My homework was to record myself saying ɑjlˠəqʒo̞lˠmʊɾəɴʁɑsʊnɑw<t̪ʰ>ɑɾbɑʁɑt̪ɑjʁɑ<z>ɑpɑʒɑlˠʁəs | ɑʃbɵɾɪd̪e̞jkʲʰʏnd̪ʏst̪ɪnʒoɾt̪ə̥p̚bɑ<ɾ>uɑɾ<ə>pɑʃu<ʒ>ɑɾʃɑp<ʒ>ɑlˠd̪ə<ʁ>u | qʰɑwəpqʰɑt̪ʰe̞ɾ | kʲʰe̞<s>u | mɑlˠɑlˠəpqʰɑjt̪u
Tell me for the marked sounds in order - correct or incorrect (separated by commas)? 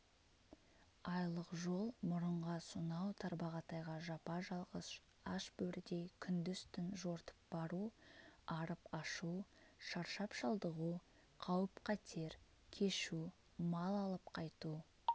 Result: correct, incorrect, correct, correct, incorrect, incorrect, correct, incorrect